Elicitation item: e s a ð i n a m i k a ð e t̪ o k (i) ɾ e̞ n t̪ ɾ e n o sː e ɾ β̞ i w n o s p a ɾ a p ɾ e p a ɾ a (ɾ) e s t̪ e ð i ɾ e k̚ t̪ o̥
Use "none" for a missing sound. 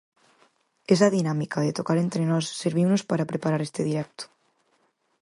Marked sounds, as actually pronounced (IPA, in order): a, ɾ

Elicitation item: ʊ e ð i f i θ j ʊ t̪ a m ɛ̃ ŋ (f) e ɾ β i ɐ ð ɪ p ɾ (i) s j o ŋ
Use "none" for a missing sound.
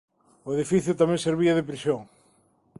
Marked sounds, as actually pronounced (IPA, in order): s, i

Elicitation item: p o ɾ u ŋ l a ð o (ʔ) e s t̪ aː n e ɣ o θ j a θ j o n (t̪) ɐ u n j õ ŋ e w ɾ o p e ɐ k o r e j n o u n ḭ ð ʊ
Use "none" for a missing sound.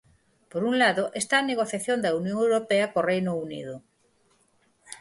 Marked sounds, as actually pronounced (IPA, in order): ʔ, d̪

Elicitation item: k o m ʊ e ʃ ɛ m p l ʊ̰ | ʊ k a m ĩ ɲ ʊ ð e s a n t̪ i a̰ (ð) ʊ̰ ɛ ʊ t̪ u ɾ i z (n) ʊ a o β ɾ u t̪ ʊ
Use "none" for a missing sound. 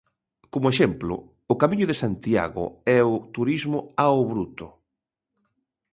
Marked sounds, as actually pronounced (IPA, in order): ɣ, m

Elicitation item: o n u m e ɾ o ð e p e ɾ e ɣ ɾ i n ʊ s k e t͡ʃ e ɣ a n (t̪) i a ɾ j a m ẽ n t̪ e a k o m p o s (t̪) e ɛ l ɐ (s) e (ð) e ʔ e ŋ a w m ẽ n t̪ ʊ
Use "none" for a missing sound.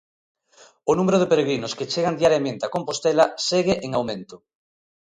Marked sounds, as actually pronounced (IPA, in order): d̪, t̪, s, ɣ

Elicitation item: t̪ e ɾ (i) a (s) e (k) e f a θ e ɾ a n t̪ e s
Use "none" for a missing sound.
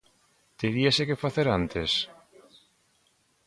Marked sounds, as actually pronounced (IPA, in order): i, s, k

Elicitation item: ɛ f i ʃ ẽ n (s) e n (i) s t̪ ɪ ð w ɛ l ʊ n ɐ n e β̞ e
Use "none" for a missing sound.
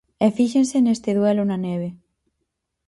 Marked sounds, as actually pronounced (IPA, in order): s, e

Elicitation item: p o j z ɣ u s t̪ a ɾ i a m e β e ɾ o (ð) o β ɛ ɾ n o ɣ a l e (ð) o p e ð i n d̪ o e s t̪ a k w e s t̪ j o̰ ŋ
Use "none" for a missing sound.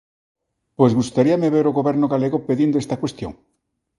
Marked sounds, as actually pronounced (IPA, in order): ɣ, ɣ

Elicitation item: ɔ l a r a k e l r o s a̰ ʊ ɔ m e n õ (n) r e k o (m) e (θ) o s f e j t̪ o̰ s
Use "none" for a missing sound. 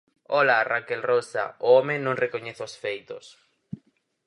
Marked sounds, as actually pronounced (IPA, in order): ŋ, ɲ, θ

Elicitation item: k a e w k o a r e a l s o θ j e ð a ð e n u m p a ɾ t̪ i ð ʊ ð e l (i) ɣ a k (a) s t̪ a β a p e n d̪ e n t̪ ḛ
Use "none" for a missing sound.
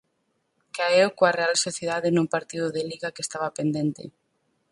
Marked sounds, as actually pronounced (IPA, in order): i, e

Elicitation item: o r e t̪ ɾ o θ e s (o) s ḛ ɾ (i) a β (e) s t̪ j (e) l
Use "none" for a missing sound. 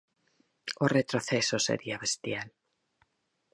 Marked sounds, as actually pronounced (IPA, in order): o, i, e, a

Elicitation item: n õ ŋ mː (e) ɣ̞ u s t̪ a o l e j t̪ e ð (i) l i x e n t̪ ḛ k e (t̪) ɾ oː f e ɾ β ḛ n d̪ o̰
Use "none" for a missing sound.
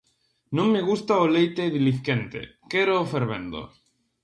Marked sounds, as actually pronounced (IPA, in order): e, i, none

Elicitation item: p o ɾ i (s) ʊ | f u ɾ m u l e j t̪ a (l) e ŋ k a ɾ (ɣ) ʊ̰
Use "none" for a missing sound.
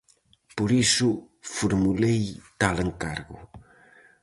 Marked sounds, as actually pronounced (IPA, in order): s, l, ɣ

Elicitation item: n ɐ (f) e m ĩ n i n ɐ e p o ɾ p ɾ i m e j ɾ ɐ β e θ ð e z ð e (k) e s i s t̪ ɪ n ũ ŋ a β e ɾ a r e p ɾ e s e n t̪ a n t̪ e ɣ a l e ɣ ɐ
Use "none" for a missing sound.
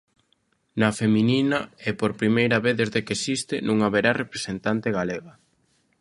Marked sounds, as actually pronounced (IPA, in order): f, k

